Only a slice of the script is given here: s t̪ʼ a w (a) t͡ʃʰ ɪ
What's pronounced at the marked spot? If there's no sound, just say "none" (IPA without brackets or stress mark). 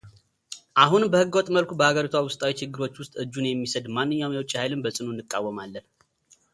i